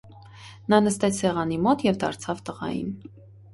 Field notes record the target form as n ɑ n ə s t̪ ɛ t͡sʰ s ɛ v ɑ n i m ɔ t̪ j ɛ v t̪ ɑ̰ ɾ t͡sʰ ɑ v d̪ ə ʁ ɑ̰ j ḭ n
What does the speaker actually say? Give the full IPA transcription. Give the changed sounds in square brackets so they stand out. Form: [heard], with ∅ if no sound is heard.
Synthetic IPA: n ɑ n ə s t̪ ɛ t͡sʰ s ɛ [ʁ] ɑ n i m ɔ t̪ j ɛ v [d̪] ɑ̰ ɾ t͡sʰ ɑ v [t̪] ə ʁ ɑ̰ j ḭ n